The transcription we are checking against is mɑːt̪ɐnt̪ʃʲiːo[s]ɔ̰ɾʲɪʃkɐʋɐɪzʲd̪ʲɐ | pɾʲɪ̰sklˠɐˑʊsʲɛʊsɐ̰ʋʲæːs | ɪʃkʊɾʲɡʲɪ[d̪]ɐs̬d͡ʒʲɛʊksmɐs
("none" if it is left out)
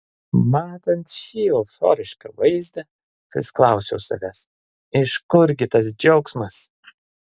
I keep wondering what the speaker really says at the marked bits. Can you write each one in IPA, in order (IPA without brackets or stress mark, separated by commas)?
f, t̪